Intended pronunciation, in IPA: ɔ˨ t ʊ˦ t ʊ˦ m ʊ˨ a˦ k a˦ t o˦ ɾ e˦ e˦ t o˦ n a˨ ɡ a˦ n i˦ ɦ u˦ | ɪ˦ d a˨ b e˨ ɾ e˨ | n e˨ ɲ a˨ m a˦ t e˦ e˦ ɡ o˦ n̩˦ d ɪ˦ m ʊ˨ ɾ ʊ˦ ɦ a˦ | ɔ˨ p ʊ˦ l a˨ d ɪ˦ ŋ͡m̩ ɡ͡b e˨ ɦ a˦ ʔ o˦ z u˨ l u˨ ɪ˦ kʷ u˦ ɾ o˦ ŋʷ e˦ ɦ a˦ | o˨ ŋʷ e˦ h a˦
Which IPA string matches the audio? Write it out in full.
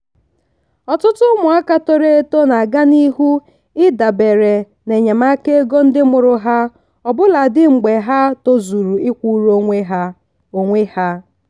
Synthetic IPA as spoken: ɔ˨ t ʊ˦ t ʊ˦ m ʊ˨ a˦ k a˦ t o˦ ɾ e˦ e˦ t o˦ n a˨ ɡ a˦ n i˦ ɦ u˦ | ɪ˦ d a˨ b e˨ ɾ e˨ | n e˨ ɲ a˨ m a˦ k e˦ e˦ ɡ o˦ n̩˦ d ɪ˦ m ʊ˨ ɾ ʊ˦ ɦ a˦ | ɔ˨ b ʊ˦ l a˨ d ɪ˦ ŋ͡m̩ ɡ͡b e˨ ɦ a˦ t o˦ z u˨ ɾ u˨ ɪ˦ kʷ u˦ ɾ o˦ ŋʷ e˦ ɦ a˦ | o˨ ŋʷ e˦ h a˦